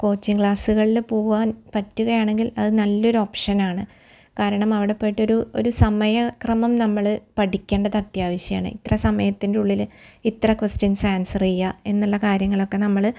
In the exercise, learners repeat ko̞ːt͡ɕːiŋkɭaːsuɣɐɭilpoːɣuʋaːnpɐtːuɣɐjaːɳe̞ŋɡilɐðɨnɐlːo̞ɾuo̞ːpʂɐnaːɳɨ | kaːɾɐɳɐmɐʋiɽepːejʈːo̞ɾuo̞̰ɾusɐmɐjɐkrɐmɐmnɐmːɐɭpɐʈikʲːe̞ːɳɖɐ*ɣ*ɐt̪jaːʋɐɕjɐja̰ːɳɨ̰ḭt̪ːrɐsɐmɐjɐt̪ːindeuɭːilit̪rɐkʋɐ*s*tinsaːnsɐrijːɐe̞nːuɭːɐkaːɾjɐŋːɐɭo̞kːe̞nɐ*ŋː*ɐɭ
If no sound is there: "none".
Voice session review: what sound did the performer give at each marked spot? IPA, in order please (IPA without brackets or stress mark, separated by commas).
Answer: ð, s, mː